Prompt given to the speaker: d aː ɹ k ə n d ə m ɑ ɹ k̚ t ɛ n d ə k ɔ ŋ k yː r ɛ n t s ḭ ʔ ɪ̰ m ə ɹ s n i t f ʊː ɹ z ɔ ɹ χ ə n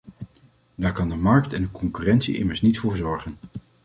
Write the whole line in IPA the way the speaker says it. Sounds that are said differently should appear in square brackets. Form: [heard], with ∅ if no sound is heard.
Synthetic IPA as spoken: d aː ɹ k [ɑ] n d ə m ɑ ɹ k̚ t ɛ n d ə k ɔ ŋ k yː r ɛ n t s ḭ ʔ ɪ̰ m ə ɹ s n i t f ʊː ɹ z ɔ ɹ χ ə n